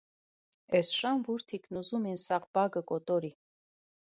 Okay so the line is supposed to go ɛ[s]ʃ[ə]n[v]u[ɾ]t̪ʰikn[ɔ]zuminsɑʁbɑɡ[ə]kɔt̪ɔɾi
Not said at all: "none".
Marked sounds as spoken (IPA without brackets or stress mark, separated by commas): s, ɑ, v, ɾ, u, ə